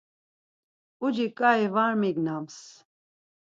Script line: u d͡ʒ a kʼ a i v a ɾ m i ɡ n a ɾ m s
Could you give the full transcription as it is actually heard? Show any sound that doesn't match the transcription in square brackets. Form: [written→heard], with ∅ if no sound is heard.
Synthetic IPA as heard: u d͡ʒ [a→i] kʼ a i v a ɾ m i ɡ n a [ɾ→∅] m s